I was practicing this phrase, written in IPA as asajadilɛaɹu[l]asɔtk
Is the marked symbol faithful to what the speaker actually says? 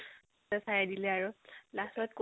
yes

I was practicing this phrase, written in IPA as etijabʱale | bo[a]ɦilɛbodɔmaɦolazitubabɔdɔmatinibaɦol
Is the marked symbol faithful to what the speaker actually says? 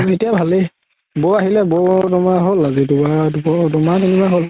yes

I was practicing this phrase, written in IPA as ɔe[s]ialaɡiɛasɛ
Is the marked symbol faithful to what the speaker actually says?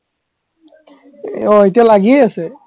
no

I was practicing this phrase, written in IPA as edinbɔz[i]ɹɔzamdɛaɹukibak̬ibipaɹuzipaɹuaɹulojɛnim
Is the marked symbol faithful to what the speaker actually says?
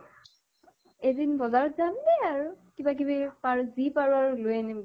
no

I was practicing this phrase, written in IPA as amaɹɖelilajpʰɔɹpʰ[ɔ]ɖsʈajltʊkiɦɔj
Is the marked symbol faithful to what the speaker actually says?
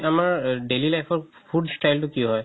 no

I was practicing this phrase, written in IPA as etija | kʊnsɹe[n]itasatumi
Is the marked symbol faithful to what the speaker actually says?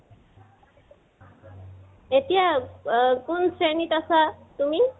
yes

